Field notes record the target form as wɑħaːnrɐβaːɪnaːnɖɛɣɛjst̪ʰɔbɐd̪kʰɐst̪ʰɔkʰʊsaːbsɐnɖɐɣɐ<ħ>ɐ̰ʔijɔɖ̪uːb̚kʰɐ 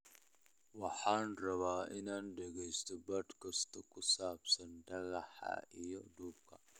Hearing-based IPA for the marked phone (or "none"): ħ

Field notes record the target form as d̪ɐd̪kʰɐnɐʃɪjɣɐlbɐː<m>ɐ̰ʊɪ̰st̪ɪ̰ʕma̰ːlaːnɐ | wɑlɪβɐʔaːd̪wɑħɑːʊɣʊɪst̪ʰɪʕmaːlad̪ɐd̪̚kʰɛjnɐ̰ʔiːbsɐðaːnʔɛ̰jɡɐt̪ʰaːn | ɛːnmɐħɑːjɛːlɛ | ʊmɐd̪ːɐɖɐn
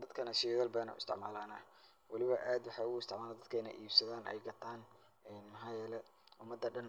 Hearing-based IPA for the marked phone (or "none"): n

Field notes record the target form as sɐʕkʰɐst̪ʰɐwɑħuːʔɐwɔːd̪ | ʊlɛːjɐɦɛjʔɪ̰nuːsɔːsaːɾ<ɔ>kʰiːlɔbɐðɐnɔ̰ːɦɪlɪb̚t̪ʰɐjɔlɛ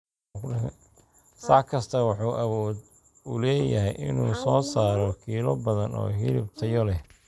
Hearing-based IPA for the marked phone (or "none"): ɔ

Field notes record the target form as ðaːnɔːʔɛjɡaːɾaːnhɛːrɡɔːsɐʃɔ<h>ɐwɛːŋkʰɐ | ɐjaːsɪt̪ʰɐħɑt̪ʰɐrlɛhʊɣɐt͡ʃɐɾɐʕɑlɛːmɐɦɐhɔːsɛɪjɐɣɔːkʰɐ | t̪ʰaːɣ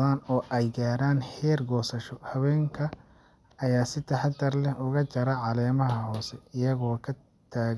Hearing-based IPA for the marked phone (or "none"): h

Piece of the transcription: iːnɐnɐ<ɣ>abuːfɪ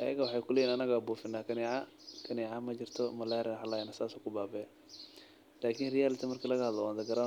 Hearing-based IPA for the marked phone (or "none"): ɣ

